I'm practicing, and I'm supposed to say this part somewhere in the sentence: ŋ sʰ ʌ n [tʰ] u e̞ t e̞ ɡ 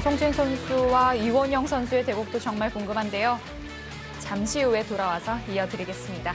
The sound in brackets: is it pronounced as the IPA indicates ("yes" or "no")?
no